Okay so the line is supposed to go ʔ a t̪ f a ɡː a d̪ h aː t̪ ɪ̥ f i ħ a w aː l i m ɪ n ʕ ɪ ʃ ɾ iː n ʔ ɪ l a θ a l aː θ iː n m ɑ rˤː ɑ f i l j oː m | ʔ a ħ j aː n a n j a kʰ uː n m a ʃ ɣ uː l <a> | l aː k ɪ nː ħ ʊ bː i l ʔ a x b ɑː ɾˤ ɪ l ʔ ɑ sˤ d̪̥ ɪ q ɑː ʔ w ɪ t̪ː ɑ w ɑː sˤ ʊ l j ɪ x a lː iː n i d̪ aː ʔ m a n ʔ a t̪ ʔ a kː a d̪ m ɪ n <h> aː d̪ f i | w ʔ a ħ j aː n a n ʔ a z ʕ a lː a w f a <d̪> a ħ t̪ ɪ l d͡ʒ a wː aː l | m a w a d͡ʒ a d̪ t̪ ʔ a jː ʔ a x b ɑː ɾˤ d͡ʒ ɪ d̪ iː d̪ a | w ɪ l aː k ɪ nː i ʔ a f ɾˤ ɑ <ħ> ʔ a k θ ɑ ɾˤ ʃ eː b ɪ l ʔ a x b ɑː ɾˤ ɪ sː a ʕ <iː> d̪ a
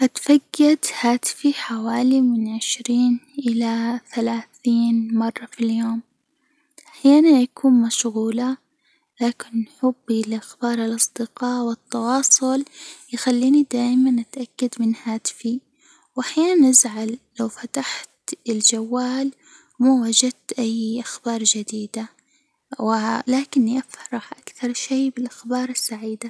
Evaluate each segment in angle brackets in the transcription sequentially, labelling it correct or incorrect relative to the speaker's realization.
correct, correct, incorrect: t̪, correct, correct

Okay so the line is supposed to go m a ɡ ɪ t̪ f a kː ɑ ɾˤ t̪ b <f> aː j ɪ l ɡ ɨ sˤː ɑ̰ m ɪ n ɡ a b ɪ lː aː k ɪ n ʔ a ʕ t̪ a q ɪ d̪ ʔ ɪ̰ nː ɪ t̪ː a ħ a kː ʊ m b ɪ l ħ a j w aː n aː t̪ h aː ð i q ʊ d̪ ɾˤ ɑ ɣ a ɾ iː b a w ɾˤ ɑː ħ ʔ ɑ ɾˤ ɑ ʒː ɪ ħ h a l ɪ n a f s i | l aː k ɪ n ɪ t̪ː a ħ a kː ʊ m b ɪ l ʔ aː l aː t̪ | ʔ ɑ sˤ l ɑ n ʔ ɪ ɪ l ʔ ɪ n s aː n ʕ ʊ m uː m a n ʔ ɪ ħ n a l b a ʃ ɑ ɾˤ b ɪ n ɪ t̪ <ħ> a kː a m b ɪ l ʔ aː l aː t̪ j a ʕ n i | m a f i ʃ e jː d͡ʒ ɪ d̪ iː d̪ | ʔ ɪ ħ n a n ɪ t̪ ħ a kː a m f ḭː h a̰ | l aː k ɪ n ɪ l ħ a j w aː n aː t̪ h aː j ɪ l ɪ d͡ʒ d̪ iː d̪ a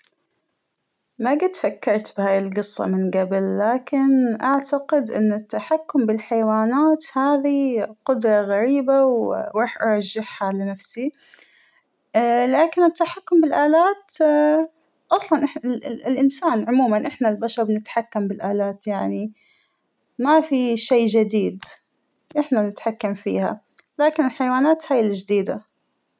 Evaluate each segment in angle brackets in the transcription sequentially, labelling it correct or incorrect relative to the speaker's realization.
incorrect: h, correct

